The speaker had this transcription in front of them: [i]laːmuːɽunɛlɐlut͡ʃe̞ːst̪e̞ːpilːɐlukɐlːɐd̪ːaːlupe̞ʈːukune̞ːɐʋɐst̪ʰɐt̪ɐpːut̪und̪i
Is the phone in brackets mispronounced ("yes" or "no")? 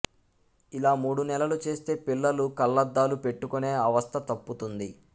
no